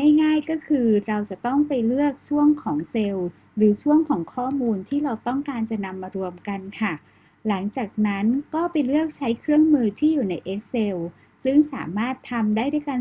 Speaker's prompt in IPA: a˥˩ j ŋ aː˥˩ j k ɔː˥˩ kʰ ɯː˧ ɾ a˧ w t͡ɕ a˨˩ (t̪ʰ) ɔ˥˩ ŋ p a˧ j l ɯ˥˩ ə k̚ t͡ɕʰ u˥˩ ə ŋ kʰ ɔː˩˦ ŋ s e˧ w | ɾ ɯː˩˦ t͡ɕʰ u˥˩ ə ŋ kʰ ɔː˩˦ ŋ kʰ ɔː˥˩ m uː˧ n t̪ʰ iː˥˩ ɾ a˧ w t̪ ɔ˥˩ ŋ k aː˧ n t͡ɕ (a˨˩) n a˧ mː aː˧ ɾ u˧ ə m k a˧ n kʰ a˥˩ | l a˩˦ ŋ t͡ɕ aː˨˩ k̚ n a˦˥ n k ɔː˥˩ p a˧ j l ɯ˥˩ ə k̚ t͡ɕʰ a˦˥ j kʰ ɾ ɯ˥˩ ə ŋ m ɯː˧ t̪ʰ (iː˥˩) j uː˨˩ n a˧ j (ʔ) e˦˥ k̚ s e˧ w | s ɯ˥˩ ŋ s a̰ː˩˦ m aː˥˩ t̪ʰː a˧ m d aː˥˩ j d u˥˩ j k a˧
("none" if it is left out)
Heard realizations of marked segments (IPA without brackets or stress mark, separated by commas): t̪, a˨˩, iː˥˩, ʔ